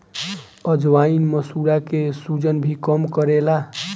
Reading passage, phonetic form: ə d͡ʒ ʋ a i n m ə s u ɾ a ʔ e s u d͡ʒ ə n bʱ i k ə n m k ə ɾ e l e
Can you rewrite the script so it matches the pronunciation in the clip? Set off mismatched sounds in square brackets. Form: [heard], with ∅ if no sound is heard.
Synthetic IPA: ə d͡ʒ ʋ a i n m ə s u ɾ a [k] e s u d͡ʒ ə n bʱ i k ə [∅] m k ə ɾ e l [a]